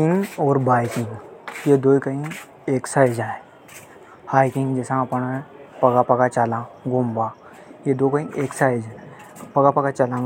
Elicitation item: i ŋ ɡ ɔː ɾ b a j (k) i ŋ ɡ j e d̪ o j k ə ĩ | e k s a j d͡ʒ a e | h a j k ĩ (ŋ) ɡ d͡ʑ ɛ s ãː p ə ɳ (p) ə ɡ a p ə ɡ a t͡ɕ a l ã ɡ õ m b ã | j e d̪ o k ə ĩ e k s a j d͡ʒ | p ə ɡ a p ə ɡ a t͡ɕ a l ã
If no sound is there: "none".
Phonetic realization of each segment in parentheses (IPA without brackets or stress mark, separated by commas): k, ŋ, p